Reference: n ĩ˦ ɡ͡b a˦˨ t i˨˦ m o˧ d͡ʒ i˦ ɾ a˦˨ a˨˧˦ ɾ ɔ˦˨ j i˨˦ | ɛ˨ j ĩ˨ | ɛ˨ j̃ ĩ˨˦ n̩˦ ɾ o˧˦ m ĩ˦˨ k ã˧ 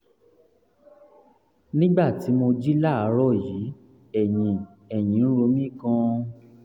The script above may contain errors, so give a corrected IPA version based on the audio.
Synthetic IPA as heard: n ĩ˦ ɡ͡b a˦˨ t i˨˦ m o˧ d͡ʒ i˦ l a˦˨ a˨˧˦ ɾ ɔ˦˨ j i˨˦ | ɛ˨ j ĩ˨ | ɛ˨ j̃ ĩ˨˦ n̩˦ ɾ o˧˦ m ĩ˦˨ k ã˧

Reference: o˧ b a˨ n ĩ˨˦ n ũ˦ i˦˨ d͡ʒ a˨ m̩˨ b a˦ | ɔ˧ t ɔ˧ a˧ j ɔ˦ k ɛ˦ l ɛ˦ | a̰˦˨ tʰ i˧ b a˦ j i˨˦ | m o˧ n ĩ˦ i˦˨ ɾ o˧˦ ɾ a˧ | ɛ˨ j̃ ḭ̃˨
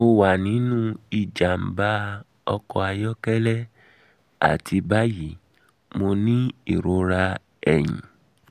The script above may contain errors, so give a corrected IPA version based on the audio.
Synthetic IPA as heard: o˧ w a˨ n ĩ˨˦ n ũ˦ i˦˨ d͡ʒ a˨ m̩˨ b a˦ | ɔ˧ k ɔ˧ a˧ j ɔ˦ k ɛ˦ l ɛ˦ | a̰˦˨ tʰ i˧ b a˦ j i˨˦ | m o˧ n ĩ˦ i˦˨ ɾ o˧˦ ɾ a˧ | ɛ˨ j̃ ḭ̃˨

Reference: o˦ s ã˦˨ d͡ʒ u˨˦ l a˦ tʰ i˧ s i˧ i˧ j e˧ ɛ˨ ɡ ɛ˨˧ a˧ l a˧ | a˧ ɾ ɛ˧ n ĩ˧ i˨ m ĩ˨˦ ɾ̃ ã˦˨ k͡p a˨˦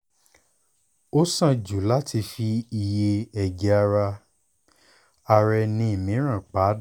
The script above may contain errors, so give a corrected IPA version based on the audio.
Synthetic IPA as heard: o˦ s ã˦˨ d͡ʒ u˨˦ l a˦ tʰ i˧ f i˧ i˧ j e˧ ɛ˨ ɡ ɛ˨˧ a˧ ɾ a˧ | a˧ ɾ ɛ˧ n ĩ˧ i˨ m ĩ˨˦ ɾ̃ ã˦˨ k͡p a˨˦

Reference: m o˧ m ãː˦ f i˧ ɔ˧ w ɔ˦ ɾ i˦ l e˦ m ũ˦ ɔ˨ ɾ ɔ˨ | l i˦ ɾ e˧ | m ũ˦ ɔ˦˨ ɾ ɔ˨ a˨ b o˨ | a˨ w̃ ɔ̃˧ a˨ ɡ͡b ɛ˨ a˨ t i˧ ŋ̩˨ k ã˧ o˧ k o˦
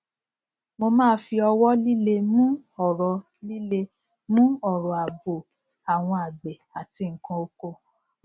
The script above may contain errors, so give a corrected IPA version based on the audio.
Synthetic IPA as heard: m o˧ m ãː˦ f i˧ ɔ˧ w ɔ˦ l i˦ l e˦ m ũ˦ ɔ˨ ɾ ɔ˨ | l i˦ l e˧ | m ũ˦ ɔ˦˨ ɾ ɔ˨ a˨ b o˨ | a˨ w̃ ɔ̃˧ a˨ ɡ͡b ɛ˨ a˨ t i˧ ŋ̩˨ k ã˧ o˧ k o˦

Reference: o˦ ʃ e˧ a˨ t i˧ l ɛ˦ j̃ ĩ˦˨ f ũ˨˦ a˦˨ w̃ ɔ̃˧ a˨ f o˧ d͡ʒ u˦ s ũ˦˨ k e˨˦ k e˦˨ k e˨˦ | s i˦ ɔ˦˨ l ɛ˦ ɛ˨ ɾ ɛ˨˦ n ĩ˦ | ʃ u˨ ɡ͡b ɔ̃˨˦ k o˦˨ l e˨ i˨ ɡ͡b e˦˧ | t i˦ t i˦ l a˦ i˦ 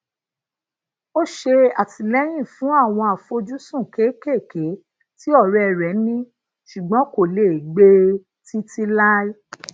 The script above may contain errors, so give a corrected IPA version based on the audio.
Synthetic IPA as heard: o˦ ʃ e˧ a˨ t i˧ l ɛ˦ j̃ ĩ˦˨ f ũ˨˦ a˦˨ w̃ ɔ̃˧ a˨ f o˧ d͡ʒ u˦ s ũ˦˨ k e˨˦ k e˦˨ k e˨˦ | t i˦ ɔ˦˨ ɾ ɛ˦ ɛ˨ ɾ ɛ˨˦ n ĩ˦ | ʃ u˨ ɡ͡b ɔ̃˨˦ k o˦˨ l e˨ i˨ ɡ͡b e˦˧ | t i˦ t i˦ l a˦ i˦

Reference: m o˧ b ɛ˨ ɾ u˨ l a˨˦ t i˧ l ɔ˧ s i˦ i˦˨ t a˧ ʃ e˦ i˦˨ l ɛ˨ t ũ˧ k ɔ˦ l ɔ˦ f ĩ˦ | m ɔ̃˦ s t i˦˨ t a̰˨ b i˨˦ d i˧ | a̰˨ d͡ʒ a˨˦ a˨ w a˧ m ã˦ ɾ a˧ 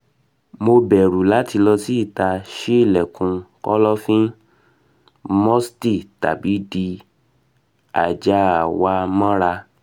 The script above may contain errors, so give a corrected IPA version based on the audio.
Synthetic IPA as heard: m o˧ b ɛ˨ ɾ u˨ l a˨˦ t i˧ l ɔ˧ s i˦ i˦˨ t a˧ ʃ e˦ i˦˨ l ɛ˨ k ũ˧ k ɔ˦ l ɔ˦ f ĩ˦ | m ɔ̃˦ s t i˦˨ t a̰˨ b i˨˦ d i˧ | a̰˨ d͡ʒ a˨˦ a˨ w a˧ m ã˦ ɾ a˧

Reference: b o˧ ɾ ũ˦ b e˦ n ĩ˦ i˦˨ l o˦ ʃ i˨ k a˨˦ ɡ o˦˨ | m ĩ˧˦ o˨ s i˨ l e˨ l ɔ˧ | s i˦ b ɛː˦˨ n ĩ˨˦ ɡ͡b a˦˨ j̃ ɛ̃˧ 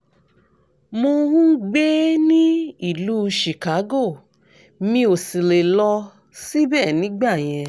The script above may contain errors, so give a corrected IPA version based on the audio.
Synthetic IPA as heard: m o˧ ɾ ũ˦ ɡ͡b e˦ n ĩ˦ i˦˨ l u˦ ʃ i˨ k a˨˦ ɡ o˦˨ | m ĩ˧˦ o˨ s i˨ l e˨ l ɔ˧ | s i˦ b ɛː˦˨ n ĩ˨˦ ɡ͡b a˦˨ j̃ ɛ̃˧

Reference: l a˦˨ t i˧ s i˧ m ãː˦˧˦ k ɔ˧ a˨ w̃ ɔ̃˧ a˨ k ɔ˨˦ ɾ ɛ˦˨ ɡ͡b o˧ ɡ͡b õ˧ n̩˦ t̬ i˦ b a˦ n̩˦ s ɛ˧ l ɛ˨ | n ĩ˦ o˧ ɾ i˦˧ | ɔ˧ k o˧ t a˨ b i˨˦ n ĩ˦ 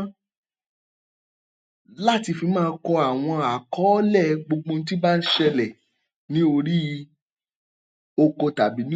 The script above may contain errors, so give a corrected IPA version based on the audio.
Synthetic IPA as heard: l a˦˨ t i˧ f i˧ m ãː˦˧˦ k ɔ˧ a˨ w̃ ɔ̃˧ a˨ k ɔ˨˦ l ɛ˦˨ ɡ͡b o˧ ɡ͡b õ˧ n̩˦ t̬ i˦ b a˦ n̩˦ ʃ ɛ˧ l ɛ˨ | n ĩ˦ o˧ ɾ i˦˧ | o˧ k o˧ t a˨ b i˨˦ n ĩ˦

